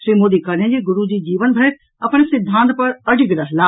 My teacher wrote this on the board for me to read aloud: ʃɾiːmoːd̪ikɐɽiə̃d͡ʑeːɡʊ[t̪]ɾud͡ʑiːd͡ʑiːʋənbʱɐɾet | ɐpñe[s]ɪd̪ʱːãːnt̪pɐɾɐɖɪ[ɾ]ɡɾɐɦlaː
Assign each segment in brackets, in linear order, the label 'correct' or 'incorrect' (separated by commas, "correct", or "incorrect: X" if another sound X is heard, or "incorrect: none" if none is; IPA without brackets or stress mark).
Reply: incorrect: none, correct, incorrect: none